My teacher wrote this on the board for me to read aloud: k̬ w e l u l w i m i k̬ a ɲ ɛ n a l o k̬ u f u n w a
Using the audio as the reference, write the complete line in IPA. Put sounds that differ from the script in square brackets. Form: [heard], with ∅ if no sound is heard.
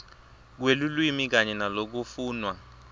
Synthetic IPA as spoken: k̬ w e l u l w i m i k̬ a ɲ ɛ n a l o k̬ u f [uː] n w a